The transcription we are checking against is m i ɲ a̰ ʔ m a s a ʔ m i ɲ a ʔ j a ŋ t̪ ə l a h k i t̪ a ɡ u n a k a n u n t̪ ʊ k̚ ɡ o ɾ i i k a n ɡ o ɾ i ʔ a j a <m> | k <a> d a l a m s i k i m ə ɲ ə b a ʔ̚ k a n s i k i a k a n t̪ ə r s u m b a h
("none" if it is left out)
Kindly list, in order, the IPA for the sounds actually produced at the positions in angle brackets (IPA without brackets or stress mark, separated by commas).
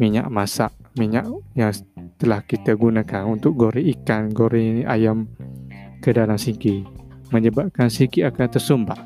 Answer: m, ə